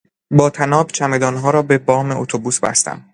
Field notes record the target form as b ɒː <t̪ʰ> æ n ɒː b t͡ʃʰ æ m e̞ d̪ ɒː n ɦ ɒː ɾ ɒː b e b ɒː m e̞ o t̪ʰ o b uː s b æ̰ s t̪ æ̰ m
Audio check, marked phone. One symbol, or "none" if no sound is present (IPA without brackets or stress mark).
t̪ʰ